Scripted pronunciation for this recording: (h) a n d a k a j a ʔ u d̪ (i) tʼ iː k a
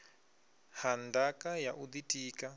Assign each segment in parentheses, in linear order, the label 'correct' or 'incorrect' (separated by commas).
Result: correct, correct